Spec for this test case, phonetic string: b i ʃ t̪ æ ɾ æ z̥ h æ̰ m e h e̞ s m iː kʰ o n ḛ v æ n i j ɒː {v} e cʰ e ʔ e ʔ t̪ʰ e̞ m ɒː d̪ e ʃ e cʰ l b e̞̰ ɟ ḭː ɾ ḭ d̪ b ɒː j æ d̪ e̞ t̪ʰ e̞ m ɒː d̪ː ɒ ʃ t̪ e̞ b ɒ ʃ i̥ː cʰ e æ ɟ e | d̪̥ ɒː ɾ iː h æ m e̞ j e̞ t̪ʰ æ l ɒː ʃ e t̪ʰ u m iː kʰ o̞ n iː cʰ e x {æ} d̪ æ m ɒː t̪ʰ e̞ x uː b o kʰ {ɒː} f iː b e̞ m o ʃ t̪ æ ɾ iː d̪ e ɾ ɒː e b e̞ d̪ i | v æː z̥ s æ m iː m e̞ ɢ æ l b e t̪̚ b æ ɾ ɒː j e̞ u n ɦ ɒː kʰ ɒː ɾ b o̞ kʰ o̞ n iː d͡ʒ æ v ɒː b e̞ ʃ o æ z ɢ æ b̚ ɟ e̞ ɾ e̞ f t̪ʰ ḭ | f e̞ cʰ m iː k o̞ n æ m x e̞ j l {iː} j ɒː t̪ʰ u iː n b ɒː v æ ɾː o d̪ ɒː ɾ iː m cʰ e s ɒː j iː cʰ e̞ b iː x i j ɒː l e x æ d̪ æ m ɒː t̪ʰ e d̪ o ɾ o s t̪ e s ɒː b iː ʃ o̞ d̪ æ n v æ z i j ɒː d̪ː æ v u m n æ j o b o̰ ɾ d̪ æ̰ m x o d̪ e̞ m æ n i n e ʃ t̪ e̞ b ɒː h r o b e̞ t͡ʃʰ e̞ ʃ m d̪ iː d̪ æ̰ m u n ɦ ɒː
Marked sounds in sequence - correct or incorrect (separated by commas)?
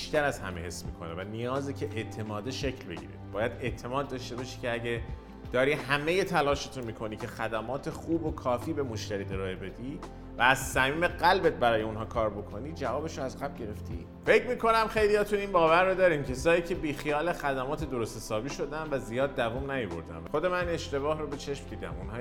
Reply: incorrect, correct, correct, incorrect